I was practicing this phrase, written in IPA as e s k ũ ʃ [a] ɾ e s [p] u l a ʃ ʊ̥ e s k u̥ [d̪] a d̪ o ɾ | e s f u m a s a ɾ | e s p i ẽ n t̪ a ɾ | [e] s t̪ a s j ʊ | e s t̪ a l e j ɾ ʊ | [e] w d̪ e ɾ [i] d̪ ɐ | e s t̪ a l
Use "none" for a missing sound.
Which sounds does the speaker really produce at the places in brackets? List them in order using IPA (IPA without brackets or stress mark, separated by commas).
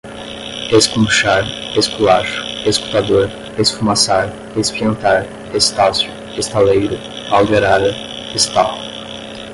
a, k, t̪, e, a, a